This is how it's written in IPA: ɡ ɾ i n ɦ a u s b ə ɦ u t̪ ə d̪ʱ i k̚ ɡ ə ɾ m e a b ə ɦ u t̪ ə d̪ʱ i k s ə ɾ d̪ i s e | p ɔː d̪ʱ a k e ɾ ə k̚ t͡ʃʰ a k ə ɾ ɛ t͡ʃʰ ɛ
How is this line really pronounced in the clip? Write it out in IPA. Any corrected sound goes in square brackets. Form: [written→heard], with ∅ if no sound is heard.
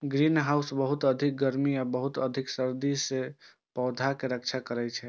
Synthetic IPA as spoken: ɡ ɾ i n ɦ a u s b ə ɦ u t̪ ə d̪ʱ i k̚ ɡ ə ɾ m [e→i] a b ə ɦ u t̪ ə d̪ʱ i k s ə ɾ d̪ i s e | p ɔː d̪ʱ a k e ɾ ə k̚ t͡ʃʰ a k ə ɾ ɛ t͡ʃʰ ɛ